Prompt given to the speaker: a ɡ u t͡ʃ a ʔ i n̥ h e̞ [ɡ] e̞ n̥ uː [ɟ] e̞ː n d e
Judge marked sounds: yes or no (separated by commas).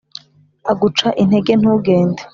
yes, no